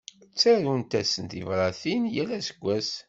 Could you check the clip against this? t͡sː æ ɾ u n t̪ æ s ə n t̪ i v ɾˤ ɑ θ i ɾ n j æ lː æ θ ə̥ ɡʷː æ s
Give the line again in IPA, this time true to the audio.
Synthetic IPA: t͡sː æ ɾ u n t̪ æ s ə n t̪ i v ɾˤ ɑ θ i n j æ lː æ s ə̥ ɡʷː æ s